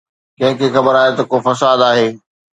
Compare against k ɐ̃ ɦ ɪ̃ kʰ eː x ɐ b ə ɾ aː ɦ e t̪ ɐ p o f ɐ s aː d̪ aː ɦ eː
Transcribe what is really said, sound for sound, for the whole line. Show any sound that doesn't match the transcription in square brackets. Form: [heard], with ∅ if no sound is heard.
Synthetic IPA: k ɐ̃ ɦ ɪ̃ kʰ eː x ɐ b ə ɾ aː ɦ e t̪ ɐ [k] o f ɐ s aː d̪ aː ɦ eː